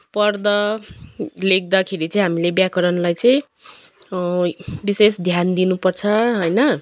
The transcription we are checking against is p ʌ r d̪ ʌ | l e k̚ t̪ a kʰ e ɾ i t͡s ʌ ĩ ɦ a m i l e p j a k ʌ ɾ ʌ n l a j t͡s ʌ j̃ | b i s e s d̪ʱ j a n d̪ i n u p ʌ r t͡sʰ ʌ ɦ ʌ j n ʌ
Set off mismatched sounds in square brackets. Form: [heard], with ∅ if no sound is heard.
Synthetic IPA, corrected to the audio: p ʌ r d̪ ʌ | l e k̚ [d̪] a kʰ e ɾ i t͡s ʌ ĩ ɦ a m i l e [b] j a k ʌ ɾ ʌ n l a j t͡s ʌ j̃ | b i s e s d̪ʱ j a n d̪ i n u p ʌ r t͡sʰ ʌ ɦ ʌ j n ʌ